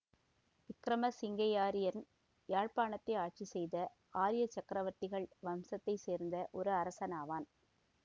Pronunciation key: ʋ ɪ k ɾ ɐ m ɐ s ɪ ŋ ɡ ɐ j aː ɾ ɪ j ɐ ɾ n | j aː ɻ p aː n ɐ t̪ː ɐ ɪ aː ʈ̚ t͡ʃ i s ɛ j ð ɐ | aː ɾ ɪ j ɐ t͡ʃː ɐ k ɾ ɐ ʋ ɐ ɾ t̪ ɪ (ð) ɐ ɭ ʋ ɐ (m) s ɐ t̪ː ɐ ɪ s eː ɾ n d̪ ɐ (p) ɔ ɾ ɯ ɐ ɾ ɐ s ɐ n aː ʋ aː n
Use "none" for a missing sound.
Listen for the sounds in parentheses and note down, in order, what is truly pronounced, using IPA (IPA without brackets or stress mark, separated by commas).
ɣ, m, ʔ